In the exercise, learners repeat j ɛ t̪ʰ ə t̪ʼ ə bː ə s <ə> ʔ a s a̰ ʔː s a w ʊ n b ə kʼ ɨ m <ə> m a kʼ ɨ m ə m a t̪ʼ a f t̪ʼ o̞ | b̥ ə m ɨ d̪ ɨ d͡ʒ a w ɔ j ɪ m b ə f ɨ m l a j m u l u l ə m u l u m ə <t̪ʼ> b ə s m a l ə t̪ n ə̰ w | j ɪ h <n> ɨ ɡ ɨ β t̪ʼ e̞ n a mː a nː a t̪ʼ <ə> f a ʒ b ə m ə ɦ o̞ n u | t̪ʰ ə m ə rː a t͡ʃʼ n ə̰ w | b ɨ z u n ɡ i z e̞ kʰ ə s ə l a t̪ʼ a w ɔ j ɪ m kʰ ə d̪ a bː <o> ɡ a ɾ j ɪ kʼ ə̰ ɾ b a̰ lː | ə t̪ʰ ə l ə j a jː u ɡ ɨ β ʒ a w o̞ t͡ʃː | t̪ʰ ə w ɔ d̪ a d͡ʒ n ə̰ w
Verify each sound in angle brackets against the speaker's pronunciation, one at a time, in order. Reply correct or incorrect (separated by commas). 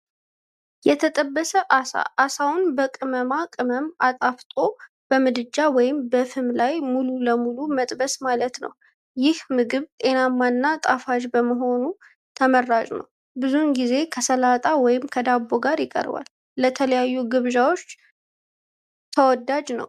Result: correct, correct, correct, incorrect, incorrect, correct